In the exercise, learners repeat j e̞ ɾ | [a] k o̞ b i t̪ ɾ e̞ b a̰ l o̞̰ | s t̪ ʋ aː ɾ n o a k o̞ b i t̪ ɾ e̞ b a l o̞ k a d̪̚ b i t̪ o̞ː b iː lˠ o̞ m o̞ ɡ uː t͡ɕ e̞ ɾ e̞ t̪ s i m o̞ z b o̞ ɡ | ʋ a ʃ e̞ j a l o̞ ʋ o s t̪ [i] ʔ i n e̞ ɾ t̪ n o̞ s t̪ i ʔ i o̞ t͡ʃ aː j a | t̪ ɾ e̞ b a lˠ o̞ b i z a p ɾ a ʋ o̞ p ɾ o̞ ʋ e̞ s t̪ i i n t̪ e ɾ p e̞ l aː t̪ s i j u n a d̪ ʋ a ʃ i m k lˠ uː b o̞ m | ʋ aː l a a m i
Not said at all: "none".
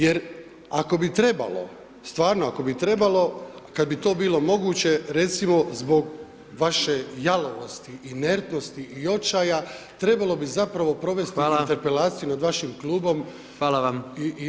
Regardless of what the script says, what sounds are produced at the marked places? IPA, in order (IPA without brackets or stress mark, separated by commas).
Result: a, i